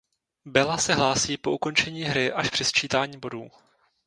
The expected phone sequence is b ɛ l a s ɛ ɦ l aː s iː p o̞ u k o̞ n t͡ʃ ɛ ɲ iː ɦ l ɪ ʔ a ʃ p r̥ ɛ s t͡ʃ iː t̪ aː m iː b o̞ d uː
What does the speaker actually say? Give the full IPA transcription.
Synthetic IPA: b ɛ l a s ɛ ɦ l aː s iː p o̞ u k o̞ n t͡ʃ ɛ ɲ iː ɦ ɾ ɪ ʔ a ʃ p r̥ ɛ s t͡ʃ iː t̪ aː ɲ iː b o̞ d uː